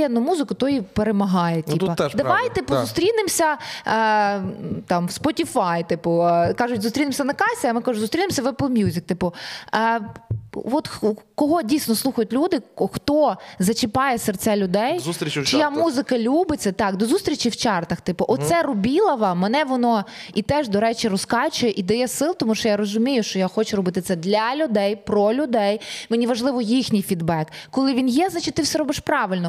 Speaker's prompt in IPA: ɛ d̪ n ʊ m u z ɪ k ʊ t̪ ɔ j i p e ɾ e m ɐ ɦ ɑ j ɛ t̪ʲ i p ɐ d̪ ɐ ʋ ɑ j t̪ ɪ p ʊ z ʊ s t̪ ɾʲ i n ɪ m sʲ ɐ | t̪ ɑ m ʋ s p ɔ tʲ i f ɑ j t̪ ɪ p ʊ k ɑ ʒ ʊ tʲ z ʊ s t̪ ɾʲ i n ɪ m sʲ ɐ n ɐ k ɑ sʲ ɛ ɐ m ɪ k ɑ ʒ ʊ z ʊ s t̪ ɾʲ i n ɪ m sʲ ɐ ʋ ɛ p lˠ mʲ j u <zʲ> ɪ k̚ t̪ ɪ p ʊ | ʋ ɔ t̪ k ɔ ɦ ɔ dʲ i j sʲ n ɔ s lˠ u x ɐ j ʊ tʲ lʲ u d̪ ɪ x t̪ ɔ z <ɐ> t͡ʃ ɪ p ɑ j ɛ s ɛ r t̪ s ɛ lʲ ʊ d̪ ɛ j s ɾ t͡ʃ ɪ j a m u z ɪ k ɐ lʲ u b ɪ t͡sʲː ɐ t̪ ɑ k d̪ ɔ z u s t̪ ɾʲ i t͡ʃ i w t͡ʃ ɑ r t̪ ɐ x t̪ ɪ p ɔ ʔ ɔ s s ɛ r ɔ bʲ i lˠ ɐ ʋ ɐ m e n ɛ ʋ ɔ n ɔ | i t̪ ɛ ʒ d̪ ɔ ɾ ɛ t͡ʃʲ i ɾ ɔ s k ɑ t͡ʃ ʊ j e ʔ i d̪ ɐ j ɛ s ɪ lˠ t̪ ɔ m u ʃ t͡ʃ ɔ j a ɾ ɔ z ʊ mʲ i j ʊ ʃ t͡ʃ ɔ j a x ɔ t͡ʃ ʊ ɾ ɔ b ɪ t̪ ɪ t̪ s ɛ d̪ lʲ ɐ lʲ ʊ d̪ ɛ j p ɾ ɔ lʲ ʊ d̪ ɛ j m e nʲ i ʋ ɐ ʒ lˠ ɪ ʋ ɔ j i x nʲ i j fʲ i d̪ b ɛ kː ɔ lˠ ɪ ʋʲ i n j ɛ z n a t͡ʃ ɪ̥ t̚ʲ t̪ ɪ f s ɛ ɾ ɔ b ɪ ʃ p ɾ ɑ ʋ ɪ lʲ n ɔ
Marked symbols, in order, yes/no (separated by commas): yes, yes